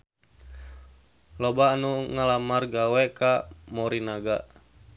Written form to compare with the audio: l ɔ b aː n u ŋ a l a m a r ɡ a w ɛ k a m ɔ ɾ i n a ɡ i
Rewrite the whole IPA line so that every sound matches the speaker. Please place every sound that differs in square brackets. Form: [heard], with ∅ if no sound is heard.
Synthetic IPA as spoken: l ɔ b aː n u ŋ a l a m a r ɡ a w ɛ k a m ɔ ɾ i n a ɡ [a]